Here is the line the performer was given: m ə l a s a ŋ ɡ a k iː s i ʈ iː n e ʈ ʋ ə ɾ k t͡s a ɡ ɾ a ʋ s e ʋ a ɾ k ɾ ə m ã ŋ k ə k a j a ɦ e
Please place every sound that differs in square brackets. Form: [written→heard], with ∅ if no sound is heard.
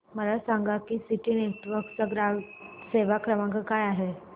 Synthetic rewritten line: m ə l a s a ŋ ɡ a k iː s i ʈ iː n e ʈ ʋ ə ɾ k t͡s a ɡ ɾ a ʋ s e ʋ a [ɾ→∅] k ɾ ə m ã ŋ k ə k a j a ɦ e